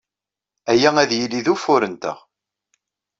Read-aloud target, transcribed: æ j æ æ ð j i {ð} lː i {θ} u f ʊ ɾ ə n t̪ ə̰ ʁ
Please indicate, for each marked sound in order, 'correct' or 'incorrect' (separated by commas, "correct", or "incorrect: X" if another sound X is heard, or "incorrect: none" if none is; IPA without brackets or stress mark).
incorrect: none, incorrect: ð